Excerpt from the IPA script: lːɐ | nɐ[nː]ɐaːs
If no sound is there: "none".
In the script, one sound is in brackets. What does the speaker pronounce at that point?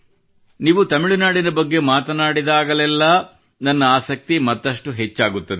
nː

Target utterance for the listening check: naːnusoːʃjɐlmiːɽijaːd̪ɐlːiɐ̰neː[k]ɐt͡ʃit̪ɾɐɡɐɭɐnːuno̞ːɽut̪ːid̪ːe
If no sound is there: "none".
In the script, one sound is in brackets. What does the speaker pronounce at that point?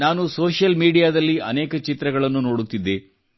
k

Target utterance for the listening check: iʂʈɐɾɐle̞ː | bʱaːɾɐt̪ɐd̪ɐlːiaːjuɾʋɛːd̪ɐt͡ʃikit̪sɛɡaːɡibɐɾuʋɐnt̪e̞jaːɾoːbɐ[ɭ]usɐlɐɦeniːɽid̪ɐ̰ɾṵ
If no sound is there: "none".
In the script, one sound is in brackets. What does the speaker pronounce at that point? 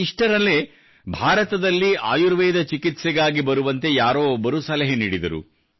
ɾ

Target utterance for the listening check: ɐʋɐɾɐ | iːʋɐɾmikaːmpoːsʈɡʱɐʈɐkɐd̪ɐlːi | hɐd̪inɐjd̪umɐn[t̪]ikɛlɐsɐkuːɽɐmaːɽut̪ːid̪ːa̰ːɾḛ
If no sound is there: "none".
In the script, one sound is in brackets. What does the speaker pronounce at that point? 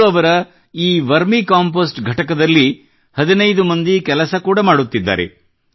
d̪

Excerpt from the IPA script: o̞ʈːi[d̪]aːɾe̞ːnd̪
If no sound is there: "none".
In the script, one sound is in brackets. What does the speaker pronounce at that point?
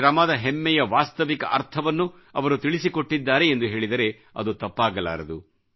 d̪ː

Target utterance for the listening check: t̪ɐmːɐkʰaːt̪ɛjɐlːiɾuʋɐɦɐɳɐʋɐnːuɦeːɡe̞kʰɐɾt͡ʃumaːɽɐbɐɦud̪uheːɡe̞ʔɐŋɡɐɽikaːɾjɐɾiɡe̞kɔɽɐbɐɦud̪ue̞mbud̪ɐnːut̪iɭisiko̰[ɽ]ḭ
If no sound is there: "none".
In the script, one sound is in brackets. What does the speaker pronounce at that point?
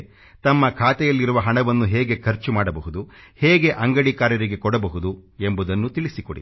ɽ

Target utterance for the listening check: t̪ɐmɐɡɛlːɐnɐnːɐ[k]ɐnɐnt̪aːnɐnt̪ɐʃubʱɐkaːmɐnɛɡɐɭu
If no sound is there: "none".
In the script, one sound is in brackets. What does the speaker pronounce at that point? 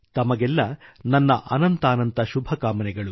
ʔ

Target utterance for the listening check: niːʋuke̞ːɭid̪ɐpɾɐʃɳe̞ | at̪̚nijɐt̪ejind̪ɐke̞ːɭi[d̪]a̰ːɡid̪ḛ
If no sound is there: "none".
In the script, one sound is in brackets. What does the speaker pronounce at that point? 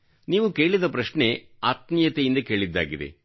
d̪ː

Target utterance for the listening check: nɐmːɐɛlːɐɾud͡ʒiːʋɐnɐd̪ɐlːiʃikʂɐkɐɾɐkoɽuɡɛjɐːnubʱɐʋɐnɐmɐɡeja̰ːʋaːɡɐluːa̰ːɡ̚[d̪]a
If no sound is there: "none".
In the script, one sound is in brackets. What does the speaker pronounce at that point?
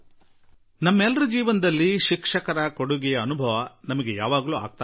t̪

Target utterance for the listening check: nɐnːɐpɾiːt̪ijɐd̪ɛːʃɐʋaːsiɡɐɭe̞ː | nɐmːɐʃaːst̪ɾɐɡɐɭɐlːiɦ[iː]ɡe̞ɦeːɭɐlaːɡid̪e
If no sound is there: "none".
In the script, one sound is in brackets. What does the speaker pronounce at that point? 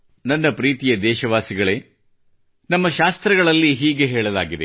iː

